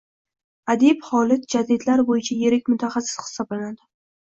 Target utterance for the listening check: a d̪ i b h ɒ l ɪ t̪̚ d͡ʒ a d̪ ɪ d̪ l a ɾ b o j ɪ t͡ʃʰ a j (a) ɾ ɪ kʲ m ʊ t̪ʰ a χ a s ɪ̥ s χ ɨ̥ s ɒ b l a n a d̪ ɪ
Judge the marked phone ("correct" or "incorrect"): incorrect